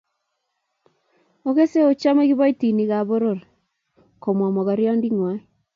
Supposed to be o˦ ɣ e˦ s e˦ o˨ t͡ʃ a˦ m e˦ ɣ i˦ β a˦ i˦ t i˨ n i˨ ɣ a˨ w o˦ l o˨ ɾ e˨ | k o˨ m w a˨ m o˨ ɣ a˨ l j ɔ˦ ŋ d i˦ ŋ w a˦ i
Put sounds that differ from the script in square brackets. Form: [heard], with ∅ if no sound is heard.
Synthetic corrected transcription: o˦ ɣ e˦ s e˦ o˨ t͡ʃ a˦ m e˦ ɣ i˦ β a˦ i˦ t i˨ n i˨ ɣ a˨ [β] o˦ [ɾ] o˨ ɾ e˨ | k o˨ m w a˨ m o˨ ɣ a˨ [ɾ] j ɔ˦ [n] d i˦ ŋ w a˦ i